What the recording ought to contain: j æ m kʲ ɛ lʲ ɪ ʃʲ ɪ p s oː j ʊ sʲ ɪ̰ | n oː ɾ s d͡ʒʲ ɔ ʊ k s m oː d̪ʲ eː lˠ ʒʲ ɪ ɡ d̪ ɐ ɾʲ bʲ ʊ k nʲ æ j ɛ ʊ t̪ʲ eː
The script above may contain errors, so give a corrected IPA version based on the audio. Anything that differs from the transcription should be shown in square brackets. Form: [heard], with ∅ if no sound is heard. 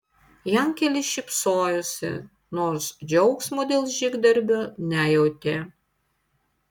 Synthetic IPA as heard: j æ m kʲ ɛ lʲ ɪ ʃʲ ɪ p s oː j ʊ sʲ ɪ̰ | n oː ɾ s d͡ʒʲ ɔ ʊ k s m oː d̪ʲ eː lˠ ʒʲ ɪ ɡ d̪ ɐ ɾʲ bʲ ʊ [∅] nʲ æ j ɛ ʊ t̪ʲ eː